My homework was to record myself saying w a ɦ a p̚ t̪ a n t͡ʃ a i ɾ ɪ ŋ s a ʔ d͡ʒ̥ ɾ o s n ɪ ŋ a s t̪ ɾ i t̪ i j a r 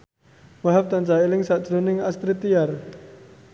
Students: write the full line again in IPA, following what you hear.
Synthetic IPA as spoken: w a ɦ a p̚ t̪ a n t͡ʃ a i l ɪ ŋ s a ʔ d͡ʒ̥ ɾ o n ɪ ŋ a s t̪ ɾ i t̪ i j a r